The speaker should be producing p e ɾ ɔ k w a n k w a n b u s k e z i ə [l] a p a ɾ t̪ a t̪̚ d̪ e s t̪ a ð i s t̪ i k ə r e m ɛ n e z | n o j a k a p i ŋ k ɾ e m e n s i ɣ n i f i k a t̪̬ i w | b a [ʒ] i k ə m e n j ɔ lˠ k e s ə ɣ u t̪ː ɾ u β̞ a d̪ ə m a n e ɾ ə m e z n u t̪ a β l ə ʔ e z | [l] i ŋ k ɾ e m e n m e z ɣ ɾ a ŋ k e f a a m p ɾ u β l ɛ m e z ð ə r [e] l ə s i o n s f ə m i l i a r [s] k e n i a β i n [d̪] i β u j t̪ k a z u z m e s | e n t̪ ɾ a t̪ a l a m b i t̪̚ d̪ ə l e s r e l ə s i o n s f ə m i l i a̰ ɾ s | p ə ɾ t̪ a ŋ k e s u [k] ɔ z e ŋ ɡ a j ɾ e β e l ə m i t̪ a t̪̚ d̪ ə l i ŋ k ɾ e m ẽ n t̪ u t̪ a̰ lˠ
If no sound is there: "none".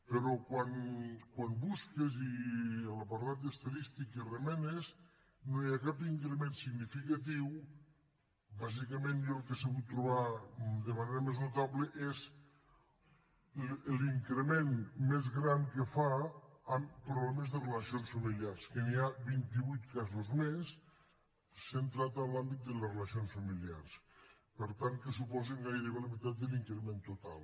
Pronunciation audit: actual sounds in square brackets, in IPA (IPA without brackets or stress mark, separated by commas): l, z, l, e, s, t̪, p